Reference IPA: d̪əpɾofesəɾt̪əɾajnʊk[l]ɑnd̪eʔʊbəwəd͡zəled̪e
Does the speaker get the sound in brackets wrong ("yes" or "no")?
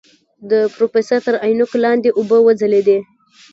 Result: no